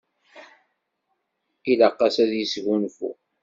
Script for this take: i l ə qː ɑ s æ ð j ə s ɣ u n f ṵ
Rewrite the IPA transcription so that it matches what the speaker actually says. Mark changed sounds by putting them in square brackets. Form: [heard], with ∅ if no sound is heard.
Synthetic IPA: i l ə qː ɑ s æ ð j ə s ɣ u n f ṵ